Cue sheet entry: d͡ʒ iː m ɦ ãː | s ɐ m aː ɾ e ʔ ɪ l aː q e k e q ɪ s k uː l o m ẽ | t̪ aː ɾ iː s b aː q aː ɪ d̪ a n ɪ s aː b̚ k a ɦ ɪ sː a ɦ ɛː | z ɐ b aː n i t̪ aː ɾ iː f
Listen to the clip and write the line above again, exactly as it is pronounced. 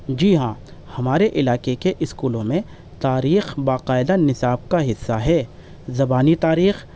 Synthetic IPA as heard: d͡ʒ iː ɦ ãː | h ɐ m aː ɾ e ʔ ɪ l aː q e k e ʔ ɪ s k uː l õ m ẽ | t̪ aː ɾ iː x b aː q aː ɪ d̪ a n ɪ s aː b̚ k a ɦ ɪ sː a ɦ ɛː | z ɐ b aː n i t̪ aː ɾ iː x